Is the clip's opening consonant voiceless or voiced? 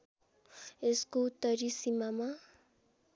voiceless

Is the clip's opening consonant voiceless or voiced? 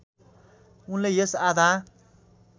voiced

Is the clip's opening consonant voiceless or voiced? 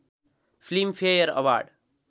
voiceless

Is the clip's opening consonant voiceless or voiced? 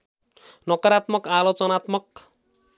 voiced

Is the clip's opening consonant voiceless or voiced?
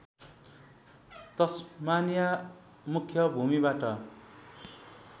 voiceless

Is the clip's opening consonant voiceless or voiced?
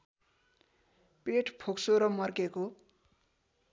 voiceless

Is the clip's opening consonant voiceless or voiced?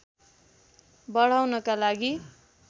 voiced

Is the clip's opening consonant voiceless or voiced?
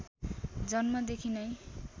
voiced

